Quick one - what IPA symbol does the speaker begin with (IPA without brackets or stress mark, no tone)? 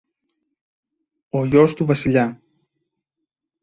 o